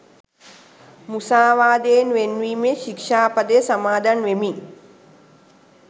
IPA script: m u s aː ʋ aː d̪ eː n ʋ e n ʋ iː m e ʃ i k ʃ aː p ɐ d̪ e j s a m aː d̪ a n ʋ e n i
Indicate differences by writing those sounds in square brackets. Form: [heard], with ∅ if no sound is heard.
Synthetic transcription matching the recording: m u s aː ʋ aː d̪ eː n ʋ e n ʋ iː m e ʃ i k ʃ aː p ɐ d̪ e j s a m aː d̪ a n ʋ e [m] i